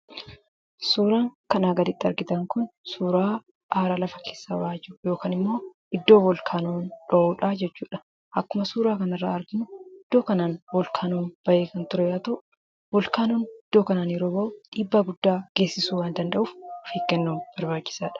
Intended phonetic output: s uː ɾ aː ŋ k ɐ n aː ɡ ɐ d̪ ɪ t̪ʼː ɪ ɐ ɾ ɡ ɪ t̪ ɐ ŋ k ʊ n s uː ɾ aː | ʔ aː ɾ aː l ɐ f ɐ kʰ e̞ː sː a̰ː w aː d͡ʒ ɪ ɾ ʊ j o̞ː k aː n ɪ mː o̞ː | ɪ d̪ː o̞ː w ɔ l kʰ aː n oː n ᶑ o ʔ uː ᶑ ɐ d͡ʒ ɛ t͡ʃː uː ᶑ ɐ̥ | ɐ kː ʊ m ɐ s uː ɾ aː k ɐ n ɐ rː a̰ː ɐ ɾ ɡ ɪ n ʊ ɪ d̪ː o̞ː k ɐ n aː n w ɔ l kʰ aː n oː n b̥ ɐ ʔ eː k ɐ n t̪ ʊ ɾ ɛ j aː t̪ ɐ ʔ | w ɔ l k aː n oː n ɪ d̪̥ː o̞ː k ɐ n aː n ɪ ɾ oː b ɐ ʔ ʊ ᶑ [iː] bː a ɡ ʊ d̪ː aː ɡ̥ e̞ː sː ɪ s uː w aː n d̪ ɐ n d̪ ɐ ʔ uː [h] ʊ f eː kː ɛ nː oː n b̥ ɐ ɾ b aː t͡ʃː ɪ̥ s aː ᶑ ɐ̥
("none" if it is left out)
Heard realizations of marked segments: iː, f

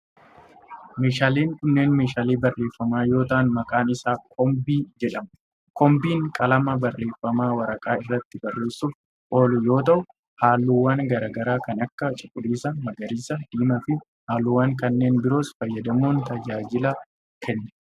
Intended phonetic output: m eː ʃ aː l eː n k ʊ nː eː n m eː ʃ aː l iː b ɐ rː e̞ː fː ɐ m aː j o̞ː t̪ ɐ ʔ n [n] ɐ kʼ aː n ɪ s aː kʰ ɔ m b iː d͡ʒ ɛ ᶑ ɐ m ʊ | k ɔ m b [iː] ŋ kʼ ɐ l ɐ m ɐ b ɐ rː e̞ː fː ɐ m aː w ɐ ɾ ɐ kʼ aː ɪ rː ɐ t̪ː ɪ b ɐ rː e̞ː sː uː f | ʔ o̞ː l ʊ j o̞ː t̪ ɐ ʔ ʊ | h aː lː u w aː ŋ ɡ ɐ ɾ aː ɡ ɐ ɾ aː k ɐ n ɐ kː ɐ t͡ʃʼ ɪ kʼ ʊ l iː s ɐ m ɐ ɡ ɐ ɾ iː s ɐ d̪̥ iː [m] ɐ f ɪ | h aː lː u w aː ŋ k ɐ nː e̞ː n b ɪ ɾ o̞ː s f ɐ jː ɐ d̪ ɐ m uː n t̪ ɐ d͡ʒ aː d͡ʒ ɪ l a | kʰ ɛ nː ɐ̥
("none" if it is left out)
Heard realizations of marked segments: m, iː, m

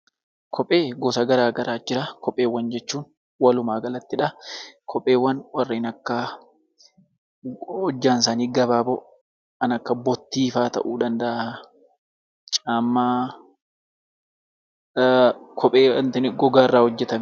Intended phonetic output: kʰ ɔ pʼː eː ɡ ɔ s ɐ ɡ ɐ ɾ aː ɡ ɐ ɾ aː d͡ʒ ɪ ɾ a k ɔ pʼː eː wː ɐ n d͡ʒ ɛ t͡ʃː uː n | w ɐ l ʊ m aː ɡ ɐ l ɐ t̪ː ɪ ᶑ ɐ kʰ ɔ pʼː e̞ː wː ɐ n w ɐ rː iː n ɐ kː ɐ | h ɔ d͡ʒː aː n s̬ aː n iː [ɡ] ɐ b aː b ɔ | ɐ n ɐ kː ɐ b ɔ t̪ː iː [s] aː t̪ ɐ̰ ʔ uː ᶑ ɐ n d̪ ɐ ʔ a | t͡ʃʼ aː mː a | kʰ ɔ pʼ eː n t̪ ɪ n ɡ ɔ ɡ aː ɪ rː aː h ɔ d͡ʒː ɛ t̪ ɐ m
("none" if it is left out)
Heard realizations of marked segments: ɡ, f

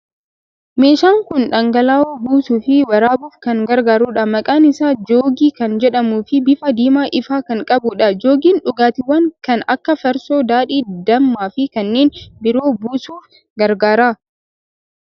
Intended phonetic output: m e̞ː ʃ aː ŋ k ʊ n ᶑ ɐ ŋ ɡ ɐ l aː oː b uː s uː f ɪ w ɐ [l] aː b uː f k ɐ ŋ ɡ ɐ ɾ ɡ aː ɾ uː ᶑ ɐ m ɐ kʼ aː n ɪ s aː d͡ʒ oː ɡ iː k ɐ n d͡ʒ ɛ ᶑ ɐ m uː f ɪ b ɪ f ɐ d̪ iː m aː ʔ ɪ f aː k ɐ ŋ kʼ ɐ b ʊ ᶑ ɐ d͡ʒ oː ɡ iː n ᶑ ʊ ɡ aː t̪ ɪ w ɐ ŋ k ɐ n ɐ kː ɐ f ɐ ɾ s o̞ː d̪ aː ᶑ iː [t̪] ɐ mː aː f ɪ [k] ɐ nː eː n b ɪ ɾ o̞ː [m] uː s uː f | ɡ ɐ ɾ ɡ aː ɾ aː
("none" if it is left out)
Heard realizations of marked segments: ɾ, d̪, k, b

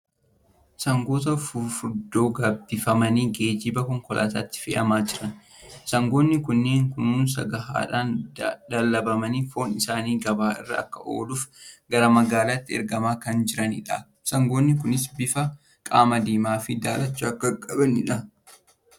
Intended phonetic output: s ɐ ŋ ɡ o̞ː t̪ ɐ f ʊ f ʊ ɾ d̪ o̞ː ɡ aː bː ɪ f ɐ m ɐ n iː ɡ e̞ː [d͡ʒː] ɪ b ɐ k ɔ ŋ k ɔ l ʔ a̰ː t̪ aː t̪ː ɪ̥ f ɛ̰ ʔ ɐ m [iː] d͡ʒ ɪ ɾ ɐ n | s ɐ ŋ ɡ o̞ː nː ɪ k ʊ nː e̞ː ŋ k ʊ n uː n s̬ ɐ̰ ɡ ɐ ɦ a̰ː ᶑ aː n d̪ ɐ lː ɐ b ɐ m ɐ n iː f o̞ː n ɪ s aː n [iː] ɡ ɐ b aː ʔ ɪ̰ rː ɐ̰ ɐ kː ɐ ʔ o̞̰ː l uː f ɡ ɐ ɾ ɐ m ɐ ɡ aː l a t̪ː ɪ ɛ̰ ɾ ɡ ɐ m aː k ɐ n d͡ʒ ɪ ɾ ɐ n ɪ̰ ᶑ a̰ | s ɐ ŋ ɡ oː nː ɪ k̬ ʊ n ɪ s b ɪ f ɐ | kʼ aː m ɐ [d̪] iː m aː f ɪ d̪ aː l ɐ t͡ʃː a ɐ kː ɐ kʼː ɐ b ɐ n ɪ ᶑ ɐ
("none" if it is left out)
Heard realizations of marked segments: d͡ʒ, aː, iː, d̪

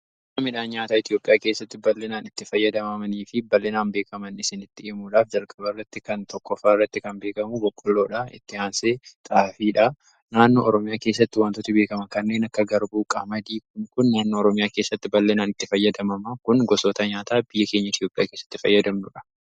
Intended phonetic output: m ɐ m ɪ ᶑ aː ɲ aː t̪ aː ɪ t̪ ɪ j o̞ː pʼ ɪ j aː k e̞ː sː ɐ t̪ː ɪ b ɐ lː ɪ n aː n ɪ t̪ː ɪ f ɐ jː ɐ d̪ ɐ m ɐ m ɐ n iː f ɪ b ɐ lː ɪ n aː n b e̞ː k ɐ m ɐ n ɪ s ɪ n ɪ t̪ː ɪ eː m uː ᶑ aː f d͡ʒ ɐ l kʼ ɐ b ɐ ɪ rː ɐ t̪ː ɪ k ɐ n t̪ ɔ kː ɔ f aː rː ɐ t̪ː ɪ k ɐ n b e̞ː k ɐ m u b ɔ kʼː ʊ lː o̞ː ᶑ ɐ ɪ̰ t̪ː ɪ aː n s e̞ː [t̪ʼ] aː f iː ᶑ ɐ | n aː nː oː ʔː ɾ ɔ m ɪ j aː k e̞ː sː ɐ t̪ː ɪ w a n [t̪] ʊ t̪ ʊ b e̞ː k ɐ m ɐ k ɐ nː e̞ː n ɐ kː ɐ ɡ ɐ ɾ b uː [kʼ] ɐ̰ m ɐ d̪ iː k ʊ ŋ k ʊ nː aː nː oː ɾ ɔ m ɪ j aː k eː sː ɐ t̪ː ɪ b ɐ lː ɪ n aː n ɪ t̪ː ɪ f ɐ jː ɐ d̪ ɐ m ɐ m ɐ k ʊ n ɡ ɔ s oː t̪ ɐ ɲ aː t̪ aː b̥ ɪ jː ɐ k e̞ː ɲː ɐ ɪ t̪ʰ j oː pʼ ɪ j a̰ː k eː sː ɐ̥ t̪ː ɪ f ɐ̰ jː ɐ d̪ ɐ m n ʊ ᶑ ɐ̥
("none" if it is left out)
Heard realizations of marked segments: t̪ʼ, t̪, kʼ

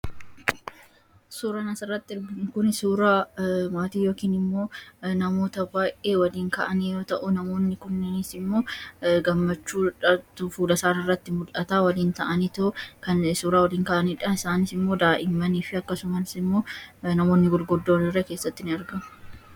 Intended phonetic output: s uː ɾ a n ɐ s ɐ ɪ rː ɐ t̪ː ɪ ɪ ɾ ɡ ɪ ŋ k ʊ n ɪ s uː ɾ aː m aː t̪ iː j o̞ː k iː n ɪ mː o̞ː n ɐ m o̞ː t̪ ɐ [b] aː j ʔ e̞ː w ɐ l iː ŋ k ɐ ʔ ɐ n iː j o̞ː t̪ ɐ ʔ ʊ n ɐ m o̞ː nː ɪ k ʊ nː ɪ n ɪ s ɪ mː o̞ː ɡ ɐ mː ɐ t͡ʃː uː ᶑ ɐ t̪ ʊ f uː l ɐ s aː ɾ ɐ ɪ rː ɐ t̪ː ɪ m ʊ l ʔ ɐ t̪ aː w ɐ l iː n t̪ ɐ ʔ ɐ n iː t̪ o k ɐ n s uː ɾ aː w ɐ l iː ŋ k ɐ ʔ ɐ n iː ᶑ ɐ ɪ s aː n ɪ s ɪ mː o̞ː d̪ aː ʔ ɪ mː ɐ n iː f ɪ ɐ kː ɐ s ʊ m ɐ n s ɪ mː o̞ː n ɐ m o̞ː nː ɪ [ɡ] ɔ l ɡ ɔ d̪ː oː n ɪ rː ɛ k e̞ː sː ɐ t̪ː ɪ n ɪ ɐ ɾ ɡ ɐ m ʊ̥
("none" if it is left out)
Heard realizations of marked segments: b, ɡ

